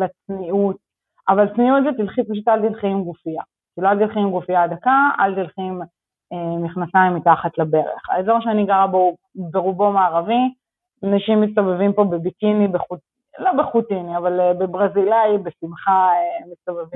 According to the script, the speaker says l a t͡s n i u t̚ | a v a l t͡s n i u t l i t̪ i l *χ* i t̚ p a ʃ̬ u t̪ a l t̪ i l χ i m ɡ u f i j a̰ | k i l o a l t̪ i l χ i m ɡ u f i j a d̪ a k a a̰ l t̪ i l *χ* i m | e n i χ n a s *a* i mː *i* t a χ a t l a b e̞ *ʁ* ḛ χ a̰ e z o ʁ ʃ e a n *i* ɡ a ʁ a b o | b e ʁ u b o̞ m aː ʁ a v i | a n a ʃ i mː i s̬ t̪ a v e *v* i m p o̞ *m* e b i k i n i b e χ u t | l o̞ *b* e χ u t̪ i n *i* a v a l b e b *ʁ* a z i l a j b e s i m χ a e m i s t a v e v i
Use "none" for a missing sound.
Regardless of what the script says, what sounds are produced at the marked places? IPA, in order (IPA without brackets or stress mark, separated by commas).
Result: χ, χ, a, i, ʁ, i, v, b, b, i, ʁ